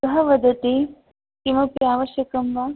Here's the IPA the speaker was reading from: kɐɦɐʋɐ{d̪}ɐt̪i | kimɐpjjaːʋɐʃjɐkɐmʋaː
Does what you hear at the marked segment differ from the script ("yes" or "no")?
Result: no